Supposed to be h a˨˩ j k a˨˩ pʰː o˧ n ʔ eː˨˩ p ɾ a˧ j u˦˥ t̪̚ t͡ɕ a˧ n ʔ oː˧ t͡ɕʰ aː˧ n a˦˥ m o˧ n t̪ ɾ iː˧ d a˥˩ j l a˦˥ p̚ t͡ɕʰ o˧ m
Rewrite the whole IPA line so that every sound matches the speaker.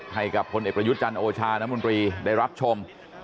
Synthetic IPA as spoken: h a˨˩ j k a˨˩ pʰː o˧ n ʔ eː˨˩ p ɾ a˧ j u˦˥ t̪̚ t͡ɕ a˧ n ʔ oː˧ t͡ɕʰ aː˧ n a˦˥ m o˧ n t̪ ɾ iː˧ d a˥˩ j ɾ a˦˥ p̚ t͡ɕʰ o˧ m